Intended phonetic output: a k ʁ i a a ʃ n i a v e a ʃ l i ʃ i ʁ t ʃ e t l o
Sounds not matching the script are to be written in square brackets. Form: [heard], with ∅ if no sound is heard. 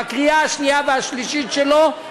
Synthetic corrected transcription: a k ʁ i a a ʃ n i a v e a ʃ l i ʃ i [∅] t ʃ e [∅] l o